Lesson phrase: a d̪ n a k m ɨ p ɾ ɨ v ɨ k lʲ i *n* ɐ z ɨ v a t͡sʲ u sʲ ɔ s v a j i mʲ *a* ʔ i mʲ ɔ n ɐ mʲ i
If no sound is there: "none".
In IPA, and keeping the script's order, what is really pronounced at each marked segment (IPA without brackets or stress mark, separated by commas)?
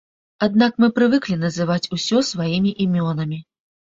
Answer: n, i